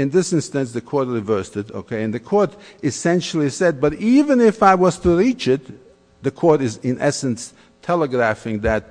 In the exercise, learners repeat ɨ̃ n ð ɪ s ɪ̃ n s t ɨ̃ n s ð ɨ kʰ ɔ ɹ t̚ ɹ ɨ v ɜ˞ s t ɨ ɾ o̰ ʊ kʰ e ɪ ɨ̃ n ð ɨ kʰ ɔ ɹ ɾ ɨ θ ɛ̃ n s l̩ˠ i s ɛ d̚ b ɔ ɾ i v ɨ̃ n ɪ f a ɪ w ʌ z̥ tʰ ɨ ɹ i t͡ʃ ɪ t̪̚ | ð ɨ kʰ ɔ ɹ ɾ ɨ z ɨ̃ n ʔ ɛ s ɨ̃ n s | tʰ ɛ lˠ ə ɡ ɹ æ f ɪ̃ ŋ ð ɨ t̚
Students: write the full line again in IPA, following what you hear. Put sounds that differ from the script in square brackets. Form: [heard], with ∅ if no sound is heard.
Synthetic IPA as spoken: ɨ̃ n ð ɪ s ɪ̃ n s t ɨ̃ n s ð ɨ kʰ ɔ ɹ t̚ ɹ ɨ v ɜ˞ s t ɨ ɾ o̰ ʊ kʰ e ɪ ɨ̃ n ð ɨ kʰ ɔ ɹ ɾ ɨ [s] ɛ̃ n [ʃ] l̩ˠ i s ɛ d̚ b [ʌ] ɾ i v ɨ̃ n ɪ f a ɪ w ʌ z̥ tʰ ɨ ɹ i t͡ʃ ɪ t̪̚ | ð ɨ kʰ ɔ ɹ ɾ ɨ z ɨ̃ n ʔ ɛ s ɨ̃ n s | tʰ ɛ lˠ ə ɡ ɹ æ f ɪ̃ ŋ ð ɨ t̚

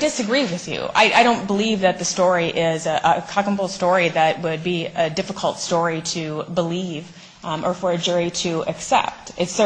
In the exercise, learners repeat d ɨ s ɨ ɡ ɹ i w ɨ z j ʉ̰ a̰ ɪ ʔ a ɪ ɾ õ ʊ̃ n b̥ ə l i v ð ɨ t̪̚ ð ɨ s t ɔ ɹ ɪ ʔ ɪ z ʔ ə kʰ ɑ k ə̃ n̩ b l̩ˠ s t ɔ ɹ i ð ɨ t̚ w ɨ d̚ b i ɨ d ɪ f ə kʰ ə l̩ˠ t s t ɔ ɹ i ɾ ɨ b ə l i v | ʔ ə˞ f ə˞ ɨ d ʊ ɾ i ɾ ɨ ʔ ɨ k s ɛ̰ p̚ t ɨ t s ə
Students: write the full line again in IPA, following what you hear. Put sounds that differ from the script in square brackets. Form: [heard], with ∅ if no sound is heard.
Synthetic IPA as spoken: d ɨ s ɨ ɡ ɹ i w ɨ [ð] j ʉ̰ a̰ ɪ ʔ a ɪ ɾ õ ʊ̃ n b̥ ə l i v ð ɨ t̪̚ ð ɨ s t ɔ ɹ [i] ʔ ɪ z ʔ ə kʰ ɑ k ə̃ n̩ b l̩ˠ s t ɔ ɹ i ð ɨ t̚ w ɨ d̚ b i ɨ d ɪ f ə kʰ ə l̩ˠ t s t ɔ ɹ i ɾ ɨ b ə l i v | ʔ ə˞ f ə˞ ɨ [d͡ʒ] ʊ [ɹ] i ɾ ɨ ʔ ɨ k s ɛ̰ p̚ t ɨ t s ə

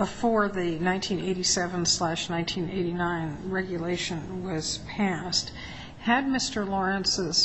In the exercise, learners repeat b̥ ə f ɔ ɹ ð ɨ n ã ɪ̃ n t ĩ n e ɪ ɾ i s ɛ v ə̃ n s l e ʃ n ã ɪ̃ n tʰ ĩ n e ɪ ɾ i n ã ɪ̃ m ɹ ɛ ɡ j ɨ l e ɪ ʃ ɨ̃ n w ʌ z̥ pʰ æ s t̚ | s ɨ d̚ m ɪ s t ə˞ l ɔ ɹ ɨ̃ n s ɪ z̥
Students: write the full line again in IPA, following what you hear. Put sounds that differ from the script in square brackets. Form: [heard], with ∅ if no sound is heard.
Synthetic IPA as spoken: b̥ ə f ɔ ɹ ð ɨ n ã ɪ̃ n [tʰ] ĩ n e ɪ ɾ i s ɛ v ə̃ n s l [æ] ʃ n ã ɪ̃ n tʰ ĩ n e ɪ ɾ i n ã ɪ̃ [n] ɹ ɛ ɡ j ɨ l e ɪ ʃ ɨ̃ n w ʌ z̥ pʰ æ s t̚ | [h] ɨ d̚ m ɪ s t ə˞ l ɔ ɹ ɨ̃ n s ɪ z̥

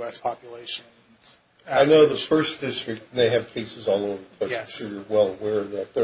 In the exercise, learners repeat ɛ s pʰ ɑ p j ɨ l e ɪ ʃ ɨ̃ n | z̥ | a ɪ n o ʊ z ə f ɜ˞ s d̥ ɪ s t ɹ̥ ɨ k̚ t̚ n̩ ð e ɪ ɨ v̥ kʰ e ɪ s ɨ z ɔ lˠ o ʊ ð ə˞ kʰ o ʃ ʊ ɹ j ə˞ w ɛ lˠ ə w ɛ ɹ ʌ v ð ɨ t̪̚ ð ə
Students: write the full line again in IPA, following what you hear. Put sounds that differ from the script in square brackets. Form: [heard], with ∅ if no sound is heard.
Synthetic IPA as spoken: ɛ s pʰ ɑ p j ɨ l e ɪ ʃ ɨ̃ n | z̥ | a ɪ n o ʊ [ð] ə f ɜ˞ s d̥ ɪ s t ɹ̥ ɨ k̚ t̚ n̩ ð e ɪ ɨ v̥ kʰ e ɪ s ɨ z ɔ lˠ o ʊ [v] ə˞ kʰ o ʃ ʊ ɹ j ə˞ w ɛ lˠ ə w ɛ ɹ ʌ v ð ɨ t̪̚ ð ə

